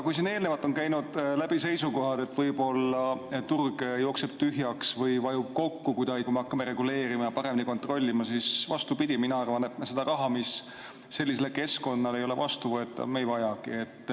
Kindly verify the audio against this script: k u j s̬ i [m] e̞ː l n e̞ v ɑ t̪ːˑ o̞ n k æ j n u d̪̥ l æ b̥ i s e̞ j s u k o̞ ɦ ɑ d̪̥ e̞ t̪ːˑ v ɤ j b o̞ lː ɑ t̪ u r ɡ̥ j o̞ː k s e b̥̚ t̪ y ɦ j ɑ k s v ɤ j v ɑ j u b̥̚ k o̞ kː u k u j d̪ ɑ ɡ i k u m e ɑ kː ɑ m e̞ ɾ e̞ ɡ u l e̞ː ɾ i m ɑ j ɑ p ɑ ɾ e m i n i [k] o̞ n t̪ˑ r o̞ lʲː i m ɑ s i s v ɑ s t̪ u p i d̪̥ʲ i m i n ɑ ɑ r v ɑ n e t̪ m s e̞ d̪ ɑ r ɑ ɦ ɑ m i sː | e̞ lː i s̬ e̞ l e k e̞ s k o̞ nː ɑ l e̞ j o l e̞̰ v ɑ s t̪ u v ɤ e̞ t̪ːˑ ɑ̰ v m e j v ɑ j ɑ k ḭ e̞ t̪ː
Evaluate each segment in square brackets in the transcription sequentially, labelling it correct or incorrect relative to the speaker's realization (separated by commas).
incorrect, correct